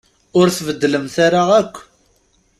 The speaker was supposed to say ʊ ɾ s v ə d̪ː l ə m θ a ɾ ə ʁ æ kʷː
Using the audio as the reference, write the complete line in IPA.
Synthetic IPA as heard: ʊ ɾ θ v ə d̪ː l ə m θ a ɾ a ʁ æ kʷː